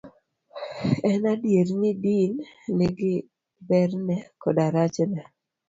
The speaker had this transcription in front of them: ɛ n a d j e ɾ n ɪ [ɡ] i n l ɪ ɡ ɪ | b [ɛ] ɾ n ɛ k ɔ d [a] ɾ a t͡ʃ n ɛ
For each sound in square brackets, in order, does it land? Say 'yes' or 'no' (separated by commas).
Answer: no, yes, yes